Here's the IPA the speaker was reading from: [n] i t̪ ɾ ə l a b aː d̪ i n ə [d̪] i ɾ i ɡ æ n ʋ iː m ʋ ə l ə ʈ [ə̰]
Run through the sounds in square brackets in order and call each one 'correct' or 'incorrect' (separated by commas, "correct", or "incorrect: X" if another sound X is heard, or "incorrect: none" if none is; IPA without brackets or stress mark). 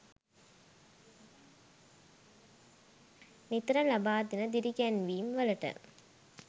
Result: correct, correct, correct